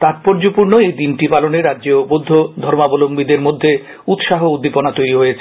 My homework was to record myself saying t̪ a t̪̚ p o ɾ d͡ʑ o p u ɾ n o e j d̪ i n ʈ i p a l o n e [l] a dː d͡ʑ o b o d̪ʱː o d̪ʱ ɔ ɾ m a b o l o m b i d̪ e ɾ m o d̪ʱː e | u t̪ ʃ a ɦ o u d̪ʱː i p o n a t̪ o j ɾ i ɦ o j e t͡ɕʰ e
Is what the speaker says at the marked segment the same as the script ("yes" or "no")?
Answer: no